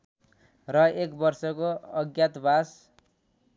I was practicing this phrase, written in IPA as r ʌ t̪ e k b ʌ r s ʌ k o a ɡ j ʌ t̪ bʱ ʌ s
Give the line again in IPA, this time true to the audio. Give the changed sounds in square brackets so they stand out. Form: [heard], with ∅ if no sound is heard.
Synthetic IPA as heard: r ʌ [∅] e k b ʌ r s ʌ k o [ʌ] ɡ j [a] t̪ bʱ [a] s